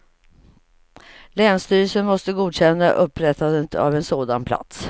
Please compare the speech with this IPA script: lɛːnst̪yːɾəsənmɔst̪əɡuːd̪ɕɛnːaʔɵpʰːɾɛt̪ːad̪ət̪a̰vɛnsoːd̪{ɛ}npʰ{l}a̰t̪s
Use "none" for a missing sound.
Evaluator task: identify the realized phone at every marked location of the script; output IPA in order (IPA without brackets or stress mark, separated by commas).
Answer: a, l